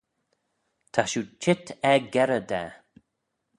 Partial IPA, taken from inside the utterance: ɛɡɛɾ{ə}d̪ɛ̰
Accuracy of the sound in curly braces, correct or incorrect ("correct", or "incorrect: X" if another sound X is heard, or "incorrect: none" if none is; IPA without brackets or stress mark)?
correct